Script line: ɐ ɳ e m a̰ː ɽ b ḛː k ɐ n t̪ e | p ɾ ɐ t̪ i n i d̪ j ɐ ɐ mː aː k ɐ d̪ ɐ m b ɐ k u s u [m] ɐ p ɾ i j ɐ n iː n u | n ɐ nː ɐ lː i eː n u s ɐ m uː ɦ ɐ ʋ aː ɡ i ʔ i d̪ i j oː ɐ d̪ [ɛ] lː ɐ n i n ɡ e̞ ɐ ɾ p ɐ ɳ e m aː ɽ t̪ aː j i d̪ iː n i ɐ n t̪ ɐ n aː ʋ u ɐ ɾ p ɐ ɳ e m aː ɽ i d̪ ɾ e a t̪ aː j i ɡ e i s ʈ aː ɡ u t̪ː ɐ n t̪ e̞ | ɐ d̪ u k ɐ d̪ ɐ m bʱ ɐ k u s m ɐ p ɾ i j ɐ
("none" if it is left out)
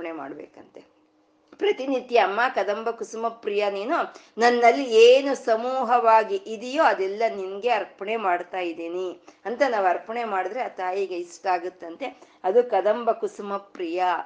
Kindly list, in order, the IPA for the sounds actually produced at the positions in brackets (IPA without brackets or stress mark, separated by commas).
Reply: m, ɛ